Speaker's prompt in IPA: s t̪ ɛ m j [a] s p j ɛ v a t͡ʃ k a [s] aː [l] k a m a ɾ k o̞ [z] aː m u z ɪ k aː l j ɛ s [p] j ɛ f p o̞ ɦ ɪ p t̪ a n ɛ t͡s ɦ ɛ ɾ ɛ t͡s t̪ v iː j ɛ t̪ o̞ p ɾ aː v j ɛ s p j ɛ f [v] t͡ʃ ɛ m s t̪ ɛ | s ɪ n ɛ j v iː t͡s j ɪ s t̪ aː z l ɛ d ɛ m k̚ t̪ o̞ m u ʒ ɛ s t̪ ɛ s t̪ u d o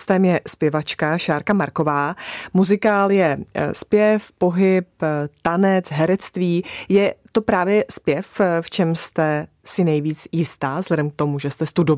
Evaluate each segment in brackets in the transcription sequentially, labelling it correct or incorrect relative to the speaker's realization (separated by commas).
incorrect, incorrect, incorrect, incorrect, correct, incorrect